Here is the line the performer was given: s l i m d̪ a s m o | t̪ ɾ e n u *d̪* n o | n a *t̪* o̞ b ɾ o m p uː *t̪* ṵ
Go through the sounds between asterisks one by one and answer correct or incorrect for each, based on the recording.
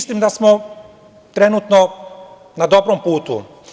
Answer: incorrect: t̪, incorrect: d̪, correct

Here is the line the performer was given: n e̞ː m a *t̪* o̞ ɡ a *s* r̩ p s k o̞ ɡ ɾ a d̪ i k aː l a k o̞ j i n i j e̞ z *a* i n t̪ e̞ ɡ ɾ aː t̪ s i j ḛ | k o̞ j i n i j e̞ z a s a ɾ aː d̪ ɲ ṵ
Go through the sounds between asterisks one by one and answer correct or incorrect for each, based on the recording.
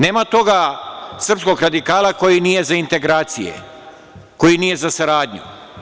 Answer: correct, correct, correct

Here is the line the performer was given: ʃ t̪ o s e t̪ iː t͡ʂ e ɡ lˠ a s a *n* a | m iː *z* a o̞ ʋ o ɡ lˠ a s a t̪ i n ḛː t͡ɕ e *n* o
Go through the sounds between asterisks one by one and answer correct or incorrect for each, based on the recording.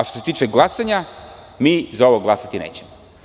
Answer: incorrect: ɲ, correct, incorrect: m

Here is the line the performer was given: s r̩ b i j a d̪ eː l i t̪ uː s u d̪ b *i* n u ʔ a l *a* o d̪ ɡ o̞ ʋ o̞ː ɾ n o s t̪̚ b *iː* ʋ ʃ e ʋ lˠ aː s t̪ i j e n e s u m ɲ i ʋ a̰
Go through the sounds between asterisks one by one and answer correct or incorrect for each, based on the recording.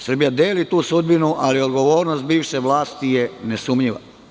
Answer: correct, incorrect: i, correct

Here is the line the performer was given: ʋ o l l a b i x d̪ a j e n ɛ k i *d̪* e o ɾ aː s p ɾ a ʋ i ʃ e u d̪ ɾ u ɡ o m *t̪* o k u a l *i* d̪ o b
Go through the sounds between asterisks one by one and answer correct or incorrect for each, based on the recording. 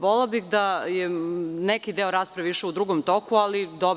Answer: correct, correct, correct

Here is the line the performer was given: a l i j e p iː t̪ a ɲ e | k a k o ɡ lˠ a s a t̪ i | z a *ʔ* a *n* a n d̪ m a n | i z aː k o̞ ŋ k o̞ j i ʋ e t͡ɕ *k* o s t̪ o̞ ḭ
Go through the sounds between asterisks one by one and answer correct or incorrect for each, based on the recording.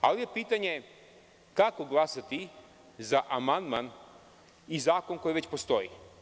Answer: correct, incorrect: m, incorrect: p

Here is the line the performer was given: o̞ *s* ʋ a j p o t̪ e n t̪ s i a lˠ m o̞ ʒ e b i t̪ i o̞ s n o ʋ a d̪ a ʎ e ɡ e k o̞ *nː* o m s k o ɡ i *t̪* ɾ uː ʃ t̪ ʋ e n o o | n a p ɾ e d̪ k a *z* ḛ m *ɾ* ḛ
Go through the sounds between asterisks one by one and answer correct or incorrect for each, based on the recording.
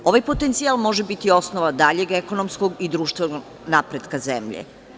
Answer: incorrect: none, incorrect: n, incorrect: d̪, correct, incorrect: ʎ

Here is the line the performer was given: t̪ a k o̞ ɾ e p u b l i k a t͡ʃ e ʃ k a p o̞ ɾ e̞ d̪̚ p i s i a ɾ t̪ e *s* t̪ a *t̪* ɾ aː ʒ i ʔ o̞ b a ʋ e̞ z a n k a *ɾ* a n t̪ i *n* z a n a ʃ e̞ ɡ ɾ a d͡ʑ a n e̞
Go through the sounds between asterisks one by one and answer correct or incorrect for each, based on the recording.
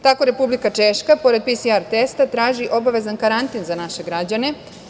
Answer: correct, correct, correct, correct

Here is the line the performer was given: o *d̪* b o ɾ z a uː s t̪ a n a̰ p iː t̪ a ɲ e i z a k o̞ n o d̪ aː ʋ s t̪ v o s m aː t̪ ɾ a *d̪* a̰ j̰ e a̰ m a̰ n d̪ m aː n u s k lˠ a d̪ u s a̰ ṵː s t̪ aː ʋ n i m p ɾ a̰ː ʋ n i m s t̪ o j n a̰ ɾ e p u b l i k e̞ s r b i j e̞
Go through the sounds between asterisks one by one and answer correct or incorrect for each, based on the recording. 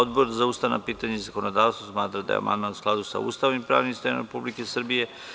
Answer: correct, correct

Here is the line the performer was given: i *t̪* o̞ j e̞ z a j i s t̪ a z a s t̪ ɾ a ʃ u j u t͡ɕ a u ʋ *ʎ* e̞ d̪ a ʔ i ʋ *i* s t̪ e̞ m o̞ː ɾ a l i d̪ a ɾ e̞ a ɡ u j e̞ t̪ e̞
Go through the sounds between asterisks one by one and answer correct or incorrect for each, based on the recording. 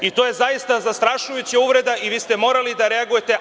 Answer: correct, incorrect: ɾ, incorrect: iː

